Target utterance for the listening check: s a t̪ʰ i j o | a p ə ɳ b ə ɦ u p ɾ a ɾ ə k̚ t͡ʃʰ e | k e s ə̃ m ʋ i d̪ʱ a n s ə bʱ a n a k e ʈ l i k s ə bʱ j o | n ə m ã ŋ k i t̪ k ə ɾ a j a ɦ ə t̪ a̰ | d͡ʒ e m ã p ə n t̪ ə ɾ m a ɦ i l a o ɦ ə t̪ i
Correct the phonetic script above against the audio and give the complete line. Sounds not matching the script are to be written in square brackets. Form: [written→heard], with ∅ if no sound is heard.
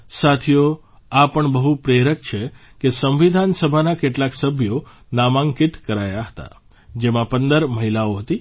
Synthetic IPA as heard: s a t̪ʰ i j o | a p ə ɳ b ə ɦ u p ɾ [a→e] ɾ ə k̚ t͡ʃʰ e | k e s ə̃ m ʋ i d̪ʱ a n s ə bʱ a n a k e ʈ l [i→a] k s ə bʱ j o | n [ə→a] m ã ŋ k i t̪ k ə ɾ a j a ɦ ə t̪ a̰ | d͡ʒ e m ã p ə n [t̪→d̪] ə ɾ m [a→ə] ɦ i l a o ɦ ə t̪ i